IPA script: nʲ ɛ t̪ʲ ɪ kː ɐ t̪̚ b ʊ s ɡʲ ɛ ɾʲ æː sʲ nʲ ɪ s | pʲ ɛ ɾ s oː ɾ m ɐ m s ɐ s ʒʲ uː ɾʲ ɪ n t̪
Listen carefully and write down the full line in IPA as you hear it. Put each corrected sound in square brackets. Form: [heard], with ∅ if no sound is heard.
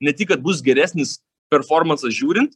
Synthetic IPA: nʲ ɛ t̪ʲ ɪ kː ɐ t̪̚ b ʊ s ɡʲ ɛ ɾʲ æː sʲ nʲ ɪ s | pʲ ɛ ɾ [f] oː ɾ m ɐ [n] s ɐ s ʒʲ uː ɾʲ ɪ n t̪